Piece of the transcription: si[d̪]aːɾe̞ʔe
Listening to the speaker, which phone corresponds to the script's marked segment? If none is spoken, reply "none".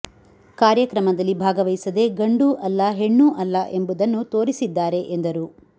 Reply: d̪ː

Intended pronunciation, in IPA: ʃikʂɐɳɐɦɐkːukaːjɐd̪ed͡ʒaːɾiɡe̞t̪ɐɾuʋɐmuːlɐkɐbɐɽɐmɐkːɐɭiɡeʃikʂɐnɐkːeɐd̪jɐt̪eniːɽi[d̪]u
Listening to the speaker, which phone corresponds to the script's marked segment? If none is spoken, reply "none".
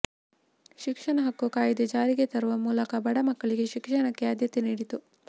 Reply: t̪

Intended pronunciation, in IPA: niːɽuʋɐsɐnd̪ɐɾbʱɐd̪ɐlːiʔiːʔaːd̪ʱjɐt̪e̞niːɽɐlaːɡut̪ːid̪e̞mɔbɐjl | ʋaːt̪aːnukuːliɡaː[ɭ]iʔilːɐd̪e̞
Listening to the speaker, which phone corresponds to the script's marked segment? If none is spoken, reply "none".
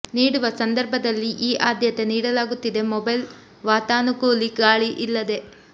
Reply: ɭ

